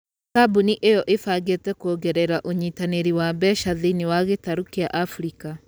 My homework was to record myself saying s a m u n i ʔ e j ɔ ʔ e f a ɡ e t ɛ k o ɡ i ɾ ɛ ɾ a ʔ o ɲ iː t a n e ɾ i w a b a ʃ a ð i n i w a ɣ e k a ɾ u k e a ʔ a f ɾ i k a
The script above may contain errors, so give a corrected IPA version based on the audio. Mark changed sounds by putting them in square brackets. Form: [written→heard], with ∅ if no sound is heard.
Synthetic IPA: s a [m→b] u n i ʔ e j ɔ ʔ e f a ɡ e t ɛ k o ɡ [i→ɛ] ɾ ɛ ɾ a ʔ o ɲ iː t a n e ɾ i w a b [a→ɛ] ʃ a ð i n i w a ɣ e [k→t] a ɾ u k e a ʔ a f ɾ i k a